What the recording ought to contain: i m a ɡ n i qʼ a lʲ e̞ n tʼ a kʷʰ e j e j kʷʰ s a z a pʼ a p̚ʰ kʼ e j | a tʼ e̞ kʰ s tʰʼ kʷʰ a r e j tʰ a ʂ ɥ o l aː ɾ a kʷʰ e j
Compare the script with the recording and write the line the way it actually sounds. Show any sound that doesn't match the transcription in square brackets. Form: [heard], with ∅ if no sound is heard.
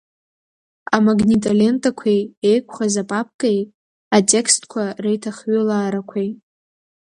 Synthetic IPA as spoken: [a] m a ɡ n i [tʼ] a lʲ e̞ n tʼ a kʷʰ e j e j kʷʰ [χ] a z a pʼ a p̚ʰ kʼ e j | a tʼ e̞ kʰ s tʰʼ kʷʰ a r e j tʰ a [χ] ɥ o l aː ɾ a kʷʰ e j